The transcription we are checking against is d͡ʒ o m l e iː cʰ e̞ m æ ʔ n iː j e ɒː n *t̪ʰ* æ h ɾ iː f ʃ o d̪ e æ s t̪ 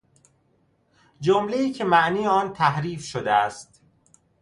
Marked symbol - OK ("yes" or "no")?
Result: yes